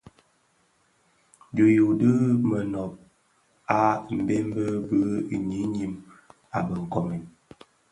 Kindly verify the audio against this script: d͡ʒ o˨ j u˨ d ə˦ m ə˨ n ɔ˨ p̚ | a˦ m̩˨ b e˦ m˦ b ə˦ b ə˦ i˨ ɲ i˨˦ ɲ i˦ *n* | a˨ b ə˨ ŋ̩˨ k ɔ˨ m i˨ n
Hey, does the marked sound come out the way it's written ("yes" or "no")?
no